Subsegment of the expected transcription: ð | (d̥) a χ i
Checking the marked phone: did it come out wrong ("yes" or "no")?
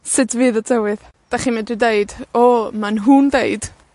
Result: no